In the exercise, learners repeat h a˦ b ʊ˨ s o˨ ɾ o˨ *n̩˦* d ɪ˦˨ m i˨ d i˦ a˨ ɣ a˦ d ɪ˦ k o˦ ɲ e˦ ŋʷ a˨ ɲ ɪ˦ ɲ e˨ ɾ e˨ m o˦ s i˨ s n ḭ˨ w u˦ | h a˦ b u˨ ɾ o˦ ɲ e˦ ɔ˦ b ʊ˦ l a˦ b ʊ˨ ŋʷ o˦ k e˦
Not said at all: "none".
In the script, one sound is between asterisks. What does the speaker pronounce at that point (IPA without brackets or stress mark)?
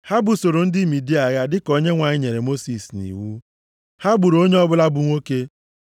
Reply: n̩˦